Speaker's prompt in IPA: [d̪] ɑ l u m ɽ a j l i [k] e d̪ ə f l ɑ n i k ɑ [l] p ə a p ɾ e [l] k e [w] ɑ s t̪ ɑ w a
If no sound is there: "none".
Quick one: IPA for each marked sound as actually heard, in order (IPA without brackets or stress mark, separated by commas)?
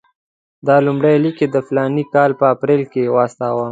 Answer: d̪, k, l, l, w